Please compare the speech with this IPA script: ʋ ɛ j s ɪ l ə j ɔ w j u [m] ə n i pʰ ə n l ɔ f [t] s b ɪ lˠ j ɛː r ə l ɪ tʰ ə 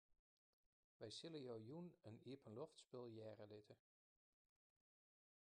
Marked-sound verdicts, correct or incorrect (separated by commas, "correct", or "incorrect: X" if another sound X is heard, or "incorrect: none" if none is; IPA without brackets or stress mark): incorrect: n, correct